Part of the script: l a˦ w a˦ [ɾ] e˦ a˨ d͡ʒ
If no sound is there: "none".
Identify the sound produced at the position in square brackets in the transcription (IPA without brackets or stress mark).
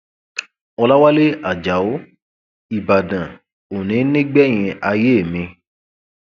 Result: l